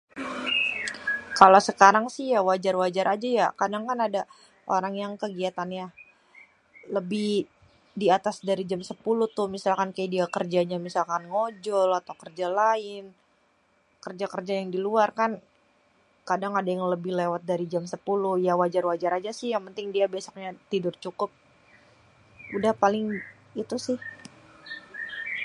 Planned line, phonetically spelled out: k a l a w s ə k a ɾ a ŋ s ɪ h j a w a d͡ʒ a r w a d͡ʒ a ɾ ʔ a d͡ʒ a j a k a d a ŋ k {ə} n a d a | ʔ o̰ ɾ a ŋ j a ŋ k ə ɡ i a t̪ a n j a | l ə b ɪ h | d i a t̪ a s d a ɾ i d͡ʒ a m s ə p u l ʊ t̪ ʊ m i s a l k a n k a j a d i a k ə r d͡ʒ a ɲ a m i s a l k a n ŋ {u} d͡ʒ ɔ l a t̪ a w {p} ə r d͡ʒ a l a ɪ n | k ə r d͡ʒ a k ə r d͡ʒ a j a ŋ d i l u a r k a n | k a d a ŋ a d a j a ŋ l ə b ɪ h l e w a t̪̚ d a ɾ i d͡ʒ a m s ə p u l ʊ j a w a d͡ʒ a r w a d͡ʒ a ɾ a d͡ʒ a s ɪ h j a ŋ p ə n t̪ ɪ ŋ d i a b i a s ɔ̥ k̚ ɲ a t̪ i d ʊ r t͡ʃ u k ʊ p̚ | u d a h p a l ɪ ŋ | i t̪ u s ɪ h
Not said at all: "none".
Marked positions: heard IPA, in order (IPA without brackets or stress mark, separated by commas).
a, o, k